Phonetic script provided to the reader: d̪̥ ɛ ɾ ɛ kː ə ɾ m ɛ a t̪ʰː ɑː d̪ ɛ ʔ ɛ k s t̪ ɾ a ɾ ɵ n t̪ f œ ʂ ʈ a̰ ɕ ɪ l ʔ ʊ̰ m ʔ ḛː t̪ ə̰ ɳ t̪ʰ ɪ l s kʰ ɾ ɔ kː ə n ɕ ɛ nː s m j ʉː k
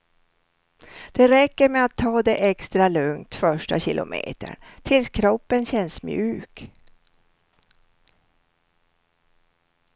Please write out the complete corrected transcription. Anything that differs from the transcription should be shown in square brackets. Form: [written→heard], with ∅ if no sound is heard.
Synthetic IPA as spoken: d̪̥ ɛ ɾ ɛ kː ə ɾ m ɛ a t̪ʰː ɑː d̪ ɛ ʔ ɛ k s t̪ ɾ a [ɾ→l] ɵ [n→ŋ] t̪ f œ ʂ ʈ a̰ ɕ ɪ l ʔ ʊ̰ m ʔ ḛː t̪ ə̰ ɳ t̪ʰ ɪ l s kʰ ɾ ɔ [kː→pː] ə n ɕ ɛ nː s m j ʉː k

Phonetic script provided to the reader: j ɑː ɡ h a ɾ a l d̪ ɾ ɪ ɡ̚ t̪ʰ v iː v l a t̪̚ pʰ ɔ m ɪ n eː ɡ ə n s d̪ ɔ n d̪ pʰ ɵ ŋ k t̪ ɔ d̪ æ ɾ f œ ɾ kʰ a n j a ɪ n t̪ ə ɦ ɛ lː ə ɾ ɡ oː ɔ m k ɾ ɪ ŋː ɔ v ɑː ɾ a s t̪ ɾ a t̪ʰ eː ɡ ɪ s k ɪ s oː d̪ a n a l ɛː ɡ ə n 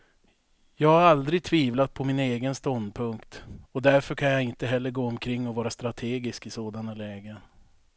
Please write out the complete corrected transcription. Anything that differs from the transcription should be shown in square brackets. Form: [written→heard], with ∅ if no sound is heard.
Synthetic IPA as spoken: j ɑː ɡ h a ɾ a l d̪ ɾ ɪ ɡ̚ t̪ʰ v iː v l a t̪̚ pʰ ɔ m ɪ n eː ɡ ə n s [d̪→t̪] ɔ n d̪ pʰ ɵ ŋ k t̪ ɔ d̪ æ ɾ f œ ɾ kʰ a n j a ɪ n t̪ ə ɦ ɛ lː ə ɾ ɡ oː ɔ m [k→kʰ] ɾ ɪ ŋː ɔ v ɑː ɾ a s t̪ ɾ a t̪ʰ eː ɡ ɪ s k ɪ s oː d̪ a n a l ɛː ɡ ə n

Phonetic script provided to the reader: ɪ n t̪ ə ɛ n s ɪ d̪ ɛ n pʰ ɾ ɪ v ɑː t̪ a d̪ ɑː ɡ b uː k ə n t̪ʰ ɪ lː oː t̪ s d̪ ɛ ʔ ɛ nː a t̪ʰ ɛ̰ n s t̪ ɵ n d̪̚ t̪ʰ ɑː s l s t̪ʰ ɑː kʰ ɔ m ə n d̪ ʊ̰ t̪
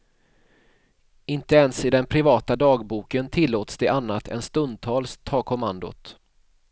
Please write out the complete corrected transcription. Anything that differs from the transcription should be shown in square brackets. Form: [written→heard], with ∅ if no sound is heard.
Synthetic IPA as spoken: ɪ n t̪ ə ɛ n s ɪ d̪ ɛ n pʰ ɾ ɪ v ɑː t̪ a d̪ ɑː ɡ b uː k ə n t̪ʰ ɪ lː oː t̪ s d̪ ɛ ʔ [ɛ→a] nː a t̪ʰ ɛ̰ n s t̪ ɵ n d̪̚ t̪ʰ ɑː [s→∅] l s t̪ʰ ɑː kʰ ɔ m [ə→a] n d̪ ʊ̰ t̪

